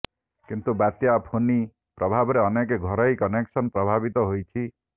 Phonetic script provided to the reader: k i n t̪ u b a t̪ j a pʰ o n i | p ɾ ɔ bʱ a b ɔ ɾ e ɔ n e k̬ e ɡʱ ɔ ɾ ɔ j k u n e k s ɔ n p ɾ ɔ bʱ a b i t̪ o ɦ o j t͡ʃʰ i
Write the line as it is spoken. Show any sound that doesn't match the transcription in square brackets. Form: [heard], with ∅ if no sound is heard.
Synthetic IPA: k i n t̪ u b a t̪ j a pʰ o n i | p ɾ ɔ bʱ a b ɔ ɾ e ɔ n e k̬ e ɡʱ ɔ ɾ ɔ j k [ɔ] n e k s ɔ n p ɾ ɔ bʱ a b i t̪ [ɔ] ɦ o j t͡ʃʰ i